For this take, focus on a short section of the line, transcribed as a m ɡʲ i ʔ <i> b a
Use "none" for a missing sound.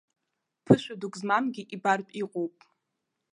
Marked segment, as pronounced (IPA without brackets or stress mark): i